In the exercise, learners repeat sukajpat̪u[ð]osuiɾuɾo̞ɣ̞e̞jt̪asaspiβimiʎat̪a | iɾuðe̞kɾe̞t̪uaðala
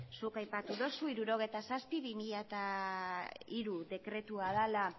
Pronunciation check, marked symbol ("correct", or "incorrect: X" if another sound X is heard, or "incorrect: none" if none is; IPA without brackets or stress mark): correct